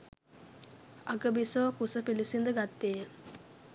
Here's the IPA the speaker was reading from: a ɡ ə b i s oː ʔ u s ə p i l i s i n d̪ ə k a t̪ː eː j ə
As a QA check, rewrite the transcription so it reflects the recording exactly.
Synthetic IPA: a ɡ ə b i s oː k u s ə p i l i s i n d̪ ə ɡ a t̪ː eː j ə